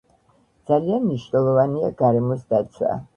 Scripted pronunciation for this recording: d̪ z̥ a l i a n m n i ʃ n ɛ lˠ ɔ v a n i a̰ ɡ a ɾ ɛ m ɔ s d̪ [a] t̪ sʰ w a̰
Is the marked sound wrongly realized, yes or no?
no